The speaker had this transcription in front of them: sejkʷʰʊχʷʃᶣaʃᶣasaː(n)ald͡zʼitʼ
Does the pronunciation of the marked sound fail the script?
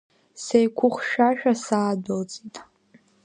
yes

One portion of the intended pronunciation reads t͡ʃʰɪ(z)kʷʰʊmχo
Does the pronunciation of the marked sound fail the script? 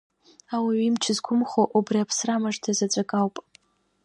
no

